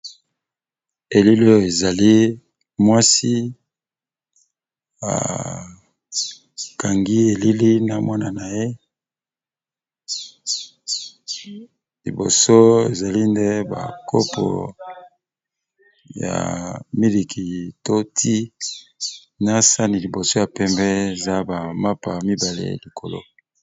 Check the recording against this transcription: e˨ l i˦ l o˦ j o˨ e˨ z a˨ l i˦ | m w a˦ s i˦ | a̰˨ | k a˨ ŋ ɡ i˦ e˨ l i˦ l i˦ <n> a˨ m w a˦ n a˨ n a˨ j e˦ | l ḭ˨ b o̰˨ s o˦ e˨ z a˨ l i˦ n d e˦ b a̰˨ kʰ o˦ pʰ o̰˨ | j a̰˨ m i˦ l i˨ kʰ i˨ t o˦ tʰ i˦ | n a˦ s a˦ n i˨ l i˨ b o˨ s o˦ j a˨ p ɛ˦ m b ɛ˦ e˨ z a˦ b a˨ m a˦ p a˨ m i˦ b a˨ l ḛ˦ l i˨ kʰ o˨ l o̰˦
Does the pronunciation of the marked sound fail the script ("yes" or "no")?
no